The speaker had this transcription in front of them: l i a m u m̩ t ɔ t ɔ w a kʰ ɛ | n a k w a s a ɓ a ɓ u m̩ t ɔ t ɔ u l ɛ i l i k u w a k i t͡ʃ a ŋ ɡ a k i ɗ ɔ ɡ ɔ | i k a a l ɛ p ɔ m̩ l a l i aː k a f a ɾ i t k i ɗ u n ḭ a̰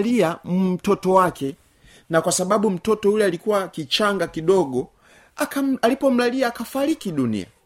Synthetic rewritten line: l i a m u m̩ t ɔ t ɔ w a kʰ ɛ | n a k w a s a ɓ a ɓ u m̩ t ɔ t ɔ u l ɛ a l i k u w a k i t͡ʃ a ŋ ɡ a k i ɗ ɔ ɡ ɔ | a k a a l i p ɔ m̩ l a l i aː k a f a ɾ i k i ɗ u n ḭ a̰